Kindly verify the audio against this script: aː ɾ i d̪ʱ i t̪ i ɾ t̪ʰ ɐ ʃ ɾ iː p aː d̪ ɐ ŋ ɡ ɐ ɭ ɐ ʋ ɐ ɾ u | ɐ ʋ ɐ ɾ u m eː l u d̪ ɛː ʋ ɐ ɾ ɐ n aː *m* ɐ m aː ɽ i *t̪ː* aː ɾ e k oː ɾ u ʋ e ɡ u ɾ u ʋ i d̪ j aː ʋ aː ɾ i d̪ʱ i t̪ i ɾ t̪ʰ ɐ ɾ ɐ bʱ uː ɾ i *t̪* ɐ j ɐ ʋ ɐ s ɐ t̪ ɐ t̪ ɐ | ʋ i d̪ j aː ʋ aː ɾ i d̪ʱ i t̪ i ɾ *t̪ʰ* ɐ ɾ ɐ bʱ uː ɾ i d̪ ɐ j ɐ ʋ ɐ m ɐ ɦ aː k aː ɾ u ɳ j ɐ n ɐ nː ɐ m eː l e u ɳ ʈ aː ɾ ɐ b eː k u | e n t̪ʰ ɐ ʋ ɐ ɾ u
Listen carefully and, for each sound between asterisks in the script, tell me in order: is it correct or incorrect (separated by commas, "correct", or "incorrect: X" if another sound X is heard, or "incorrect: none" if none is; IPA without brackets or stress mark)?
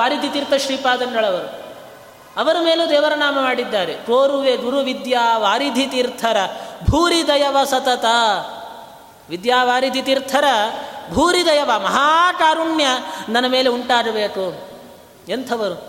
correct, incorrect: d̪ː, incorrect: d̪, correct